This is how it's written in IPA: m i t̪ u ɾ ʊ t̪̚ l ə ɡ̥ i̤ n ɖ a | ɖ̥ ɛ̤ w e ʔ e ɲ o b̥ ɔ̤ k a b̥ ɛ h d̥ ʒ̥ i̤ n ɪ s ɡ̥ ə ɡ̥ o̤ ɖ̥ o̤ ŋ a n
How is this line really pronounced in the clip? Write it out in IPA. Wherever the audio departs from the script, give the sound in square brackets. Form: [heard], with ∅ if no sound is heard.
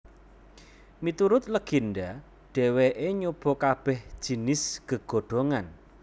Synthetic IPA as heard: m i t̪ u ɾ ʊ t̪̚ l ə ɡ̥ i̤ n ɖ a | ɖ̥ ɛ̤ w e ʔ e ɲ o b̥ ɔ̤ k a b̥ ɛ h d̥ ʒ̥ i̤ n ɪ s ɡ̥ ə ɡ̥ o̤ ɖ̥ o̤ ŋ a n